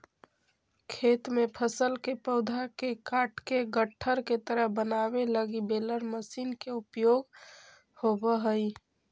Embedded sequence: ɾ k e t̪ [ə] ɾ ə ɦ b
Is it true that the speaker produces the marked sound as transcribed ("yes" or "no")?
yes